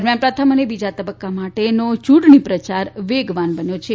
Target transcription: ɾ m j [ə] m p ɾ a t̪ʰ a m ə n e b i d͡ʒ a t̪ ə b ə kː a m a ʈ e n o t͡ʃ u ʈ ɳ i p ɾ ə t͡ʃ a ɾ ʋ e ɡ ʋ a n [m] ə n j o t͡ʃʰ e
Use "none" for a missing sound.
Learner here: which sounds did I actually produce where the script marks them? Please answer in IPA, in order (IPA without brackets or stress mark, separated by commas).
a, b